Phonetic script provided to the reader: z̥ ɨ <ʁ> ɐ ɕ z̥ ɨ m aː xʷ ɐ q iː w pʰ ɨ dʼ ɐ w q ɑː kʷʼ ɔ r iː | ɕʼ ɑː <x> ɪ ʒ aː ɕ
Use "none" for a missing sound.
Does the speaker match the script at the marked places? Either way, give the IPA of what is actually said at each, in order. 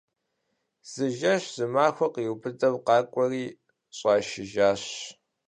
ʒ, ʃ

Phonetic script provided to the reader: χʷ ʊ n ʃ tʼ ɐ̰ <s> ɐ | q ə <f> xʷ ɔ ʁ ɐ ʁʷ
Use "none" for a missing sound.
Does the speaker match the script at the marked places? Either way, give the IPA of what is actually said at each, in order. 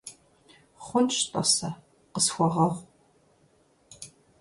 s, s

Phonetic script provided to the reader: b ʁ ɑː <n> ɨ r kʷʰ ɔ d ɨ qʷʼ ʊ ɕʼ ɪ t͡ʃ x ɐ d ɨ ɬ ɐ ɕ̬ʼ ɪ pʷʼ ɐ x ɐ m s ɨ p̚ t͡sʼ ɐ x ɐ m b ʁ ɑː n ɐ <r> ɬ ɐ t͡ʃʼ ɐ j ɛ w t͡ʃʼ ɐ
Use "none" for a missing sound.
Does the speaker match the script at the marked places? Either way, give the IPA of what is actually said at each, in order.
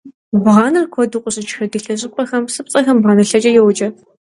n, none

